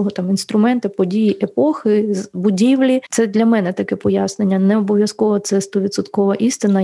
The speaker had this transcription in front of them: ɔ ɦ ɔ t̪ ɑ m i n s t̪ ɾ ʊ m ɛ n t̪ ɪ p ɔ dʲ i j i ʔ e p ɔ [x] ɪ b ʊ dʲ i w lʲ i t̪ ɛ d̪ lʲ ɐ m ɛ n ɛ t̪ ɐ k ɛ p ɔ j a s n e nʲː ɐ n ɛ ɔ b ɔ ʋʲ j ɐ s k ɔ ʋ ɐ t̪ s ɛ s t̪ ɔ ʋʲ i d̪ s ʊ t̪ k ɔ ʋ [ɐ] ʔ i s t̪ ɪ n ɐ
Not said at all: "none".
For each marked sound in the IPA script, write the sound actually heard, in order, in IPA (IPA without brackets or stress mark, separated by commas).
x, ɐ